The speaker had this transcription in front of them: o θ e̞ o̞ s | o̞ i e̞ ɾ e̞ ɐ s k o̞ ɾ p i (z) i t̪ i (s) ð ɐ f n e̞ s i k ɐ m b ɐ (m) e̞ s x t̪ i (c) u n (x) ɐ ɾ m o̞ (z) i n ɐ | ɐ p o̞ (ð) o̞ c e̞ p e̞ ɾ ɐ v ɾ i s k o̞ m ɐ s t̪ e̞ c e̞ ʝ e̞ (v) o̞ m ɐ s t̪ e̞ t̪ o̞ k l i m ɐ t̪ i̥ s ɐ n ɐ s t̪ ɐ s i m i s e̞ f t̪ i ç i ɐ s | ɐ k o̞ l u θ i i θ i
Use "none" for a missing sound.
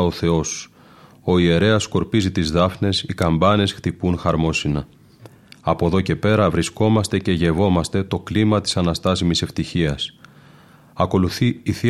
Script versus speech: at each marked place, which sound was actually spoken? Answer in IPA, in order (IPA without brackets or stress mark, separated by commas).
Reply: z, z, n, p, x, s, ð, v